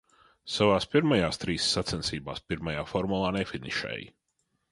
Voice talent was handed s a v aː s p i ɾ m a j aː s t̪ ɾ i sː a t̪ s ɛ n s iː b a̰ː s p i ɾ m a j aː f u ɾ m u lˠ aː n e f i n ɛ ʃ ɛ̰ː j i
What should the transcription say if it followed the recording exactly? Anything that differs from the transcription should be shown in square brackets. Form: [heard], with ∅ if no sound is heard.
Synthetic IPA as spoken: s a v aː s p i ɾ m a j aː s t̪ ɾ [iː] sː a t̪ s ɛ n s iː b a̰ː s p i ɾ m a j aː f [ɔ] ɾ m u lˠ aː n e f i n [i] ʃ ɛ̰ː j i